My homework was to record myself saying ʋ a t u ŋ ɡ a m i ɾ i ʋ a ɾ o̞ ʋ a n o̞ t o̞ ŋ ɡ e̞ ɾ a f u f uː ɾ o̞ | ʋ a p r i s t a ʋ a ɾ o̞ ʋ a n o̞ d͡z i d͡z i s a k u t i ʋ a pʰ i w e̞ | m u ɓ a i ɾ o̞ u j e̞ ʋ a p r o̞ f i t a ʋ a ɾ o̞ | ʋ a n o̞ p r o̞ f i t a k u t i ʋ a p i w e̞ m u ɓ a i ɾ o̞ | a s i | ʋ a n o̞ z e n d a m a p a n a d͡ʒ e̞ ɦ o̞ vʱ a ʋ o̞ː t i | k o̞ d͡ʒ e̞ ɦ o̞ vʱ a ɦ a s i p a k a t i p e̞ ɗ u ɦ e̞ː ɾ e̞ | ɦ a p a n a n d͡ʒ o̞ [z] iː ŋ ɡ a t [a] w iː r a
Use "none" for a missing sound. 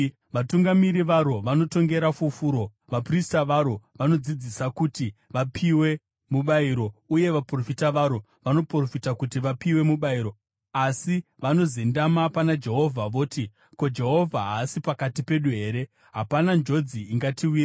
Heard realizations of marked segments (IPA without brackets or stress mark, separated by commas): d͡z, i